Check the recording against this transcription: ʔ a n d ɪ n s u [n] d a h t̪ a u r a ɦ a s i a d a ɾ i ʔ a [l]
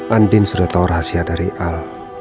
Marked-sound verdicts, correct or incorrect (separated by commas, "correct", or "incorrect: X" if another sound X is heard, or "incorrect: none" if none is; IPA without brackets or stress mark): incorrect: none, correct